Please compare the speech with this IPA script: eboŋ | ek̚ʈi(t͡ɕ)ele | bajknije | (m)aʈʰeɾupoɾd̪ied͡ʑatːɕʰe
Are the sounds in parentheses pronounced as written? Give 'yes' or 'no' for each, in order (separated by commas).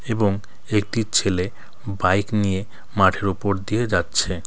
no, yes